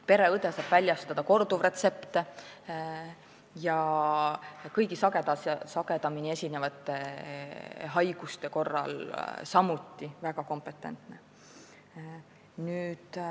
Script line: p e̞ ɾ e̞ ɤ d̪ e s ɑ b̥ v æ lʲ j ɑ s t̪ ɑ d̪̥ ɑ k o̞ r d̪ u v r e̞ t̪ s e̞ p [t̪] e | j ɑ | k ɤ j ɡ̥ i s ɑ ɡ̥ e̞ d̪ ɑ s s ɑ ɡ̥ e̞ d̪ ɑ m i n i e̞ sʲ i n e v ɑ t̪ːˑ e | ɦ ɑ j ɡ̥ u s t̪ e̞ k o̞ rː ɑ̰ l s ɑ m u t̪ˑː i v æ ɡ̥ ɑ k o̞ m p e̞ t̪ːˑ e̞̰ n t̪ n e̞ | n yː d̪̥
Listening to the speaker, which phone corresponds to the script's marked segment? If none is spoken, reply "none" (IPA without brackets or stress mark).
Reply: t̪